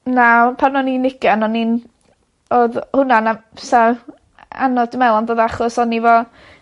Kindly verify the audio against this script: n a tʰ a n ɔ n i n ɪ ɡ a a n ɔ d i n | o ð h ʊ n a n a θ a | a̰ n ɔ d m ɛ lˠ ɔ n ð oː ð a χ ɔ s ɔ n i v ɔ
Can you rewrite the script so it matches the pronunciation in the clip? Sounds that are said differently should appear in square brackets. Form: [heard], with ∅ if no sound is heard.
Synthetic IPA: n a [pʰ] a n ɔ n i n ɪ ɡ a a n ɔ [n] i n | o ð h ʊ n a n a [s] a | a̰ n ɔ d m ɛ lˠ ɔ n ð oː ð a χ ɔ s ɔ n i v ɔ

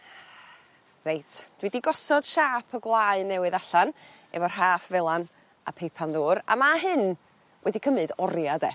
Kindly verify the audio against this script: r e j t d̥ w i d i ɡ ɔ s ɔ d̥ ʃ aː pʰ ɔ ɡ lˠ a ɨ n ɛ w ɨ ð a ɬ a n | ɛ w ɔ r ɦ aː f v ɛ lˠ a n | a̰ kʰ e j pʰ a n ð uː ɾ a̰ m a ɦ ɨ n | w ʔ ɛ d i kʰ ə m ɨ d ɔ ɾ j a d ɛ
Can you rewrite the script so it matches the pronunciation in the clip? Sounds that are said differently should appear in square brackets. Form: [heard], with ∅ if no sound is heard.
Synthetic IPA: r e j t d̥ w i d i ɡ ɔ s ɔ d̥ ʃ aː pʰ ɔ ɡ lˠ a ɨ n ɛ w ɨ ð a ɬ a n | ɛ [v] ɔ r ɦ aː f v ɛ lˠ a n | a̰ [pʰ] e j pʰ a n ð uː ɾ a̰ m a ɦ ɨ n | w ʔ ɛ d i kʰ ə m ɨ d ɔ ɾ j a d ɛ

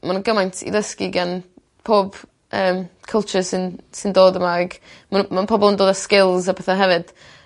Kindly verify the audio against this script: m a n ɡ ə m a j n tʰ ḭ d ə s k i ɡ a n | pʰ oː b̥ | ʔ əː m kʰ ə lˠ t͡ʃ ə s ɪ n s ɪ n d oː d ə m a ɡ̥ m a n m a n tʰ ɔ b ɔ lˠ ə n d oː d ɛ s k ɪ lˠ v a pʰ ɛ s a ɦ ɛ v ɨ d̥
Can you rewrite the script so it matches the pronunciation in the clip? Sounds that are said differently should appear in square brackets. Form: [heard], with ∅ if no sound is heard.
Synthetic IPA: m a n ɡ ə m a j n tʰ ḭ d ə s k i ɡ a n | pʰ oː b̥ | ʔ əː m kʰ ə lˠ t͡ʃ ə s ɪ n s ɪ n d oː d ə m a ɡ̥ m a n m a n [pʰ] ɔ b ɔ lˠ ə n d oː d [a] s k ɪ lˠ [z] a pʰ ɛ [θ] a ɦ ɛ v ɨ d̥

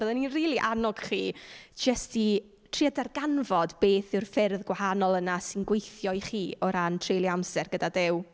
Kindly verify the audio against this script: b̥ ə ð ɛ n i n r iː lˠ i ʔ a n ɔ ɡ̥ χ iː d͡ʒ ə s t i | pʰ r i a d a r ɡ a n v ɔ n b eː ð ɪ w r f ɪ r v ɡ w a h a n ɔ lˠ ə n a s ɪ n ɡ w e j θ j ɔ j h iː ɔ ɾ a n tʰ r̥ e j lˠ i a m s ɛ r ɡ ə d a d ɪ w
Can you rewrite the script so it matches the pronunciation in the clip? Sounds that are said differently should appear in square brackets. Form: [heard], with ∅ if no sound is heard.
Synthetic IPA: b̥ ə ð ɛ n i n r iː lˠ i ʔ a n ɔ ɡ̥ χ iː d͡ʒ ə s t i | [tʰ] r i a d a r ɡ a n v ɔ [d] b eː [θ] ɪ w r f ɪ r [ð] ɡ w a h a n ɔ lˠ ə n a s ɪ n ɡ w e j θ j ɔ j [χ] iː ɔ ɾ a n tʰ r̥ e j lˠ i a m s ɛ r ɡ ə d a d ɪ w

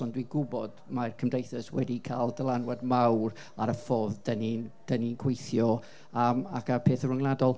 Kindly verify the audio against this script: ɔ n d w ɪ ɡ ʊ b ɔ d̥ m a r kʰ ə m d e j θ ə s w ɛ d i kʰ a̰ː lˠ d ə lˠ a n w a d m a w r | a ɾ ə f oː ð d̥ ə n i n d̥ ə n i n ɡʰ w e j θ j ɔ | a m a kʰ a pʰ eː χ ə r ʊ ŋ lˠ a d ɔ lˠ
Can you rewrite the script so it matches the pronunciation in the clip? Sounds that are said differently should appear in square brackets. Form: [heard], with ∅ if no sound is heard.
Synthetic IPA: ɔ n d w [i] ɡ ʊ b ɔ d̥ m a r kʰ ə m d e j θ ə s w ɛ d i kʰ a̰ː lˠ d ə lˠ a n w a d m a w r | a ɾ ə f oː ð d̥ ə n i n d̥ ə n i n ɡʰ w e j θ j ɔ | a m a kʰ a pʰ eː [θ] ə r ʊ ŋ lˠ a d ɔ lˠ

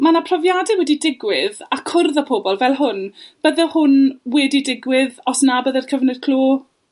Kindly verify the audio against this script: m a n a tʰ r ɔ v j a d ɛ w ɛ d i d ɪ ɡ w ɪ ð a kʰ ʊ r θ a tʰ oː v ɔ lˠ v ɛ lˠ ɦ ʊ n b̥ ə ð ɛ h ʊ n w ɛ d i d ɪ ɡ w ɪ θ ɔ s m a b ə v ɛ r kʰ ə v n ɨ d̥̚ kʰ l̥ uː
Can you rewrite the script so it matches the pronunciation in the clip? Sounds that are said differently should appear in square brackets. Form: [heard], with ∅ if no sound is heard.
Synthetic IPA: m a n a [pʰ] r ɔ v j a d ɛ w ɛ d i d ɪ ɡ w ɪ ð a kʰ ʊ r [ð] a [pʰ] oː [b] ɔ lˠ v ɛ lˠ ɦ ʊ n b̥ ə ð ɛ h ʊ n w ɛ d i d ɪ ɡ w ɪ [ð] ɔ s [n] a b ə [ð] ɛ r kʰ ə v n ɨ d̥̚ kʰ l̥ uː

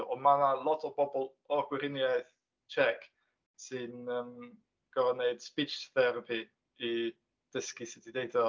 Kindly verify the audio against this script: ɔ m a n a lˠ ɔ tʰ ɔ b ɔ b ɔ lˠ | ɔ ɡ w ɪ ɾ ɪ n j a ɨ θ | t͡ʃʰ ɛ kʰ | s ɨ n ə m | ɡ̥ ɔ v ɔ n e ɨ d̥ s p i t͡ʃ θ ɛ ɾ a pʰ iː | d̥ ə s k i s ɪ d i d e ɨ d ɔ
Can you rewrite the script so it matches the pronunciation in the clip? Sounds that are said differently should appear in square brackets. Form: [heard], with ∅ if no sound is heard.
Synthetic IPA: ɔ m a n a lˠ ɔ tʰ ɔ b ɔ b ɔ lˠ | ɔ ɡ w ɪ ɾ ɪ n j a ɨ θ | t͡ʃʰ ɛ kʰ | s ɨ n ə m | ɡ̥ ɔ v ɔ n e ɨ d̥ s p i t͡ʃ θ ɛ ɾ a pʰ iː | d̥ ə s k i s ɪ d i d e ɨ d ɔ

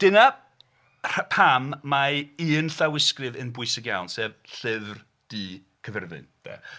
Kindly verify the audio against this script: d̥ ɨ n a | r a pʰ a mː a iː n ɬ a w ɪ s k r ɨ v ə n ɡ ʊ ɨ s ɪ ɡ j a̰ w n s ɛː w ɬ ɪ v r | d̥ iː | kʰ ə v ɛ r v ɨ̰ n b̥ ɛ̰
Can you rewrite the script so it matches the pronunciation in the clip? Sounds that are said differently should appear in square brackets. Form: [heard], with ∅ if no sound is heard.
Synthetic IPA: d̥ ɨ n a | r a pʰ a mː a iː n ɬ a w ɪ s k r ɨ v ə n [b] ʊ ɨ s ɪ ɡ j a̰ w n s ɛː [v] ɬ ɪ v r | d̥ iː | kʰ ə v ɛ r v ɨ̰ n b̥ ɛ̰

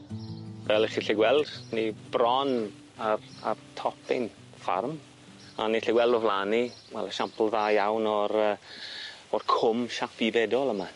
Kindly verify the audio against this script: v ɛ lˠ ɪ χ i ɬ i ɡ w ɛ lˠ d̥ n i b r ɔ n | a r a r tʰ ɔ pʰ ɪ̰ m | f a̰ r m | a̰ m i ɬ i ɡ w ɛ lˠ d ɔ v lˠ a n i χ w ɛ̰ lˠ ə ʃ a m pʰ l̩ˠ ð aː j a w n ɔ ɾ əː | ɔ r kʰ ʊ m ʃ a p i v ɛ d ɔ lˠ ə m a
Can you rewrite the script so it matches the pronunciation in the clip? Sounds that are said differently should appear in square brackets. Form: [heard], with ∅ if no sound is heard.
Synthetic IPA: v ɛ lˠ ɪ χ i ɬ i ɡ w ɛ lˠ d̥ n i b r ɔ n | a r a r tʰ ɔ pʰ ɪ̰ [n] | f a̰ r m | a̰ [n] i ɬ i ɡ w ɛ lˠ d ɔ v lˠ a n i [∅] w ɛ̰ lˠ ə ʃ a m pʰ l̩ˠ ð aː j a w n ɔ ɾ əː | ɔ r kʰ ʊ m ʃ a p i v ɛ d ɔ lˠ ə m a

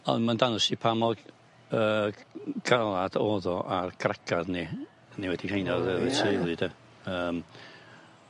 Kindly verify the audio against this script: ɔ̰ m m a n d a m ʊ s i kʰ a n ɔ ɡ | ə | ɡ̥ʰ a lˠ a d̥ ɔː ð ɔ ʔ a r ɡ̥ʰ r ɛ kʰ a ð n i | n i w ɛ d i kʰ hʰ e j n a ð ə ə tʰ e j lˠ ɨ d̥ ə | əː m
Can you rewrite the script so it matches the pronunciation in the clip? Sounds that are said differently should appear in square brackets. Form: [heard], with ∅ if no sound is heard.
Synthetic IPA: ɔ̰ [n] m a n d a [n] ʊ s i [pʰ] a [m] ɔ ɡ | ə | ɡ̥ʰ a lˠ a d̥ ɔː ð ɔ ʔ a r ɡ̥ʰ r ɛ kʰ a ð n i | n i w ɛ d i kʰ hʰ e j n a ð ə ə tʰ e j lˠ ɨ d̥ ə | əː m

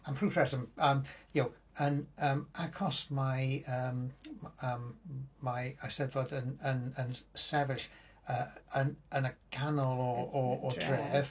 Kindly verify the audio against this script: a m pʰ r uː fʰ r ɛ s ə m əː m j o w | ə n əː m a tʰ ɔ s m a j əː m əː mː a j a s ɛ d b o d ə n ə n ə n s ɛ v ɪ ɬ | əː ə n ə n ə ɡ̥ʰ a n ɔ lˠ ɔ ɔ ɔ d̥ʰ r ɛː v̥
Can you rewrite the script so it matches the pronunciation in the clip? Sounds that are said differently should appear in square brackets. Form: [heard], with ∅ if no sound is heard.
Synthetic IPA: a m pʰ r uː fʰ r ɛ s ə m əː m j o w | ə n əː m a [kʰ] ɔ s m a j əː m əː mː a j a s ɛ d [v] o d ə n ə n ə n s ɛ v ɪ ɬ | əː ə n ə n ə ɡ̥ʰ a n ɔ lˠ ɔ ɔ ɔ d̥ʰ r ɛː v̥

